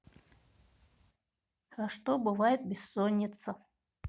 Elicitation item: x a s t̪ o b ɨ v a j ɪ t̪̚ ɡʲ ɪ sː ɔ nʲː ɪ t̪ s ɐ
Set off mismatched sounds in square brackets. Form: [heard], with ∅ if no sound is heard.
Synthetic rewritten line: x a [ʂ] t̪ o b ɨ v a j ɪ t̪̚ [bʲ] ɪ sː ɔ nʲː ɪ t̪ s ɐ